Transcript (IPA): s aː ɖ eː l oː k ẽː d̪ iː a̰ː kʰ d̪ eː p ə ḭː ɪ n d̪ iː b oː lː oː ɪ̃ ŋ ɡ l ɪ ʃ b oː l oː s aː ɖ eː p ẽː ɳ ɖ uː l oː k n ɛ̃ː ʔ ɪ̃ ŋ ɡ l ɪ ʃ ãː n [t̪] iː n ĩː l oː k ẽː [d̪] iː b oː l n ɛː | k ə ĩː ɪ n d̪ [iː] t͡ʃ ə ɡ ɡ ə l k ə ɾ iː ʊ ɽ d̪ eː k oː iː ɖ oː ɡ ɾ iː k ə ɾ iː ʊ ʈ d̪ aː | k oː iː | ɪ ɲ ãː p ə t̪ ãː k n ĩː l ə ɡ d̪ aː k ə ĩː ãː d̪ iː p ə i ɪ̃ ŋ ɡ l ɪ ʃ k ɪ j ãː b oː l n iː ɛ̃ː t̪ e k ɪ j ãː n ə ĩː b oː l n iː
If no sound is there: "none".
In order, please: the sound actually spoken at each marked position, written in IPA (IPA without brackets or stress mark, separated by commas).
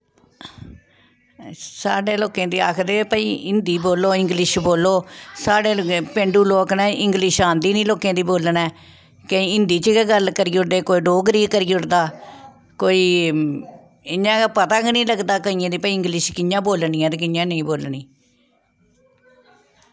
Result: d̪, d̪, iː